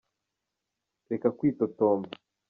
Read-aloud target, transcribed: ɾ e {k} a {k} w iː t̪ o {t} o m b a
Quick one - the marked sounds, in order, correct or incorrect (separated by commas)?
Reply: correct, correct, correct